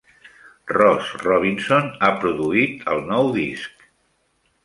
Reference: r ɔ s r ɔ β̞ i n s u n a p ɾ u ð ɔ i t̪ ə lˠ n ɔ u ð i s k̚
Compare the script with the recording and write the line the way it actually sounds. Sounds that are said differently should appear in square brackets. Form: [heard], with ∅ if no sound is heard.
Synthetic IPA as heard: r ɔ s r ɔ β̞ i n s [o] n a p ɾ u ð [u] i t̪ ə lˠ n ɔ [w] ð i s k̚